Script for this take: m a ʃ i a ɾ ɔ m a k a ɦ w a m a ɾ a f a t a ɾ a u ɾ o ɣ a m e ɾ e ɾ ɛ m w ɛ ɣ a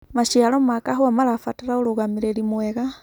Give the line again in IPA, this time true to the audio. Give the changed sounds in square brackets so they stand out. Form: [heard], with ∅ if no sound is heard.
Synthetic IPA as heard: m a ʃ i a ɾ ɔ m a k a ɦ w a m a ɾ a f a t a ɾ a [o] ɾ o ɣ a m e ɾ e ɾ [i] m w ɛ ɣ a